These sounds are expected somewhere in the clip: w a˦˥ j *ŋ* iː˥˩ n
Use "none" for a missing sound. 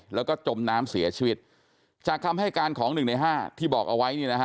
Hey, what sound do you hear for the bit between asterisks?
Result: n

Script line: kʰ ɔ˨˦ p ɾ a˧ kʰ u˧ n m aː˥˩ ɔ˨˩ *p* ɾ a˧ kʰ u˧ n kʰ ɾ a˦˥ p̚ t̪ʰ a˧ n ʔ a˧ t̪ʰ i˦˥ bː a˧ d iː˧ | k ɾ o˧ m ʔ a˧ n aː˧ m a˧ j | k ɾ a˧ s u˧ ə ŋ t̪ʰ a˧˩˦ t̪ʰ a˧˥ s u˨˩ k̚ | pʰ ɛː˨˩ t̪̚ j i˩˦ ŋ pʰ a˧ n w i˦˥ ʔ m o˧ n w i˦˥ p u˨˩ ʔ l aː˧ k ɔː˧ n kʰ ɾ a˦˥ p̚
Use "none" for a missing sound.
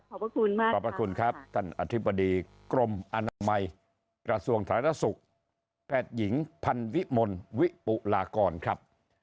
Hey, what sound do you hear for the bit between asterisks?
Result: p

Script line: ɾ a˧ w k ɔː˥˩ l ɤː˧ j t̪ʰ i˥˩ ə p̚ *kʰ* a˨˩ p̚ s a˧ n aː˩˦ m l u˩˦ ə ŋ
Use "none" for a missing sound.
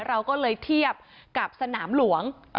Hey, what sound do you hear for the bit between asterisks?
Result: k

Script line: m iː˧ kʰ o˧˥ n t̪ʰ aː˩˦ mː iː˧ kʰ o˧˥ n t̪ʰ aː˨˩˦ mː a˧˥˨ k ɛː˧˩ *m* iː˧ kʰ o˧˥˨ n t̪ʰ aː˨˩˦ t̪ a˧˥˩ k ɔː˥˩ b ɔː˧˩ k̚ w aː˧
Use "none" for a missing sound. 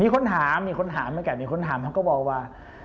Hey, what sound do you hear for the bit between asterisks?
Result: m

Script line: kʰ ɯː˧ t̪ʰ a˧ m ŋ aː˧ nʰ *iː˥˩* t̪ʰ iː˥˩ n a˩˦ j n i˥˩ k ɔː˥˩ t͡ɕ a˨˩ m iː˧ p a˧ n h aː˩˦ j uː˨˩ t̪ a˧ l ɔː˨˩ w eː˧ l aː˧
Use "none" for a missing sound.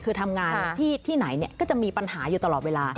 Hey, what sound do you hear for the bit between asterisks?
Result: iː˥˩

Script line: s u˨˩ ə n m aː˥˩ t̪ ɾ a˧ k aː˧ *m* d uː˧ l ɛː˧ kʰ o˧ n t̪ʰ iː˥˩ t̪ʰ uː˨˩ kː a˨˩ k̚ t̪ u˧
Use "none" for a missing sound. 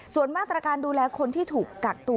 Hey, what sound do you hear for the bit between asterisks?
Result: n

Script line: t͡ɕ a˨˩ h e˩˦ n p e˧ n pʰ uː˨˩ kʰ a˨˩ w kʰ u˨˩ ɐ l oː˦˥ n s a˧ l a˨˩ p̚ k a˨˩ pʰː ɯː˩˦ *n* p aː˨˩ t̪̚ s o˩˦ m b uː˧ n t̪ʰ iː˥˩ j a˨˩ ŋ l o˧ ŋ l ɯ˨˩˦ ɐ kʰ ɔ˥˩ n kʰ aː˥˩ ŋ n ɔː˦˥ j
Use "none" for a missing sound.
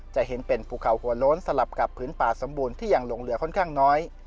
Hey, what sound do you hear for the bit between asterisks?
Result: n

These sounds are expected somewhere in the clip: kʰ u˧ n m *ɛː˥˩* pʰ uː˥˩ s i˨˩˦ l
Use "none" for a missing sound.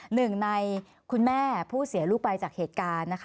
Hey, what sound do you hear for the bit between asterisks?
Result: ɛː˥˩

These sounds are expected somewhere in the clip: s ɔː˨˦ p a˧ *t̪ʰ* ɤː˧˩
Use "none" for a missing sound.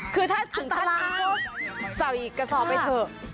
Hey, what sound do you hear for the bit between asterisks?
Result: t̪ʰ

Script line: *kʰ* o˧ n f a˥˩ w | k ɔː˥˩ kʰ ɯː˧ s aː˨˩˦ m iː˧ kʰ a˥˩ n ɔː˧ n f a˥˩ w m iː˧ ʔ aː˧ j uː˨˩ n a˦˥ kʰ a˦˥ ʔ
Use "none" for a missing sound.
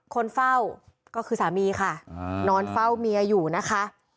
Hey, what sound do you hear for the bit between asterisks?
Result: kʰ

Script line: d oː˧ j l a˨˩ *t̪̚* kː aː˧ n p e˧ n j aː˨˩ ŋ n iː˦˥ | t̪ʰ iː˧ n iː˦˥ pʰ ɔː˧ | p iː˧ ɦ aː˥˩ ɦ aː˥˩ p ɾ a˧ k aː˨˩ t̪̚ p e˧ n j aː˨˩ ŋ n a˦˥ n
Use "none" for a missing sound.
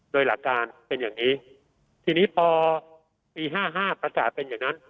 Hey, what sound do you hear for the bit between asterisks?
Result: none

